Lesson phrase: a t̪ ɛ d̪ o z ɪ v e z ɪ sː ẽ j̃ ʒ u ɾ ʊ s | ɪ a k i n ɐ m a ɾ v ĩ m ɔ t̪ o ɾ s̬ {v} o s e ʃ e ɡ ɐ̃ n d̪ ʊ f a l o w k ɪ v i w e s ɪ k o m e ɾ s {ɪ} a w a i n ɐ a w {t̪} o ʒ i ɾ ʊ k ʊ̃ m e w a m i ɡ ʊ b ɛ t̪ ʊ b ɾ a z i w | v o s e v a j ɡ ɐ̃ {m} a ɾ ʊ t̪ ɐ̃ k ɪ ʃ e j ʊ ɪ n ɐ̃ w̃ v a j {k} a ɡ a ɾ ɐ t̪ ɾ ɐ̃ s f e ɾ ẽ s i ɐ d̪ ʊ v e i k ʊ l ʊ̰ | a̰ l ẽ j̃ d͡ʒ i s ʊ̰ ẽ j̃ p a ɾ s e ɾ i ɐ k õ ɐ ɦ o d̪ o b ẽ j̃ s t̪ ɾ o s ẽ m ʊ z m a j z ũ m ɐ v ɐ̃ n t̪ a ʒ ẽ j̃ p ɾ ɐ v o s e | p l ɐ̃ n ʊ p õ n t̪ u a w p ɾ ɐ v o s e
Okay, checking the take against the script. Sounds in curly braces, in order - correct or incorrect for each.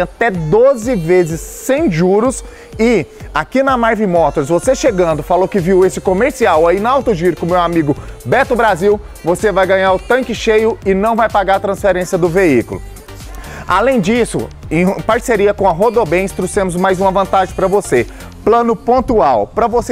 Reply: correct, incorrect: i, correct, incorrect: ɲ, incorrect: p

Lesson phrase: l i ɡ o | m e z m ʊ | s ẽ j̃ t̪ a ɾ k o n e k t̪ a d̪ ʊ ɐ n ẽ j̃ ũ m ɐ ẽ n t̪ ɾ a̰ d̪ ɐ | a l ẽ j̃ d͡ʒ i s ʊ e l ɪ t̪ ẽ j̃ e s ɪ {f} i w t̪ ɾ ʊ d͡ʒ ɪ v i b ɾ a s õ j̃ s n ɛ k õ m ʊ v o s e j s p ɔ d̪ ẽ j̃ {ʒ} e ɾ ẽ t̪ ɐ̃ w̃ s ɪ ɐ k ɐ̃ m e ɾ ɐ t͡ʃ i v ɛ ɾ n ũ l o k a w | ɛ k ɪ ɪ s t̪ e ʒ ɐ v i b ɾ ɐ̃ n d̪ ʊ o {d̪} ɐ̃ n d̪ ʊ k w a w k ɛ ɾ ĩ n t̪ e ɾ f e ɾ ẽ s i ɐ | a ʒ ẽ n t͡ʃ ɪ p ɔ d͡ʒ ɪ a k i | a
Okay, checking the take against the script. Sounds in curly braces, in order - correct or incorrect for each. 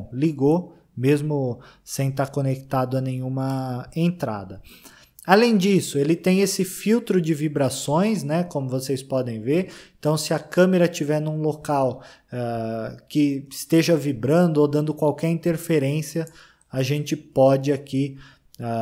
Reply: correct, incorrect: v, correct

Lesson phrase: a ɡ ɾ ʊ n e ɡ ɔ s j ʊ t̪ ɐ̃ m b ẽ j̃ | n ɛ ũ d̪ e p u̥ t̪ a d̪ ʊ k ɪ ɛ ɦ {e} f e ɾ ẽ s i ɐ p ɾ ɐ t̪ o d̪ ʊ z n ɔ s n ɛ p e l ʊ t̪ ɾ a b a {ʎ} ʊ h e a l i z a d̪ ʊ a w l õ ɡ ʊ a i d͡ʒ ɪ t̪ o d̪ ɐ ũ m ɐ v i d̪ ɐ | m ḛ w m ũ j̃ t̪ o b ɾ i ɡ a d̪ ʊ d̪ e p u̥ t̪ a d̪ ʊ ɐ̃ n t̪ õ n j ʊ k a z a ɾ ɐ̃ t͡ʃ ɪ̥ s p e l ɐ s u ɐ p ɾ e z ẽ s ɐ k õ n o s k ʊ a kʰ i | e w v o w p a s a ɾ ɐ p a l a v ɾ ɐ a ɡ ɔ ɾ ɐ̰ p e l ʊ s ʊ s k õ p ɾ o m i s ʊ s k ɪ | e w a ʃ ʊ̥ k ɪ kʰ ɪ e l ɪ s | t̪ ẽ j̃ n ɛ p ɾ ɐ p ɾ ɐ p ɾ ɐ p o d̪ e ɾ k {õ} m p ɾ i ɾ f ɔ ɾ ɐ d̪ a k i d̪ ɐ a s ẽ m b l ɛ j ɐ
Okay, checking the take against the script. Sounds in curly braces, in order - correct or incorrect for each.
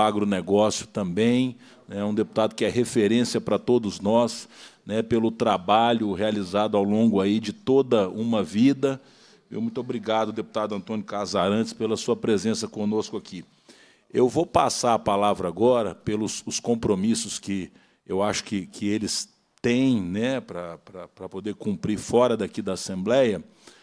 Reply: correct, correct, incorrect: ũ

